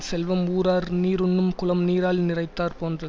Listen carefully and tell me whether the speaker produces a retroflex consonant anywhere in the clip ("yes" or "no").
no